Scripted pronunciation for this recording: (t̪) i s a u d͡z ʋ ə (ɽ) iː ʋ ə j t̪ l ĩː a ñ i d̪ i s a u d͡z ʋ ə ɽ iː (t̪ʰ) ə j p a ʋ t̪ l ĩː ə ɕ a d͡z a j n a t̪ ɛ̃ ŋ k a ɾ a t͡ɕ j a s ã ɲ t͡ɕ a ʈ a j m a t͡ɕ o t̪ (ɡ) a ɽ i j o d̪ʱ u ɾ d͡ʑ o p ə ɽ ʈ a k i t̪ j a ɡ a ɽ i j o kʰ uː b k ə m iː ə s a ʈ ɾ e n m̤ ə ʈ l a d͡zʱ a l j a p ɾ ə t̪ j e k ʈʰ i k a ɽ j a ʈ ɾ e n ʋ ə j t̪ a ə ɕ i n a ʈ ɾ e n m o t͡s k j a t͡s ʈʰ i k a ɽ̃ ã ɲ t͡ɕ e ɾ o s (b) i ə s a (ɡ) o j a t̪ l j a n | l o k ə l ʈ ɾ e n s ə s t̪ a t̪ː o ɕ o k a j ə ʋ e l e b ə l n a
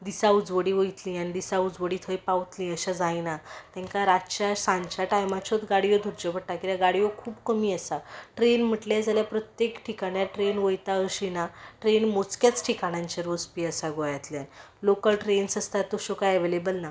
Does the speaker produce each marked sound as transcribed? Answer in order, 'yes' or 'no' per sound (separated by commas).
no, yes, yes, yes, no, yes